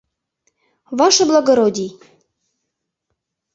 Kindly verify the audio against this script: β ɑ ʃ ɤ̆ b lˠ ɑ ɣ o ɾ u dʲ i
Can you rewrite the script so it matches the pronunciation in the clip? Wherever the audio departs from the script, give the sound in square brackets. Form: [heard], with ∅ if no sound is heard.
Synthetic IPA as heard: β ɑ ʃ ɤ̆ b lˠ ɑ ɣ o ɾ [o] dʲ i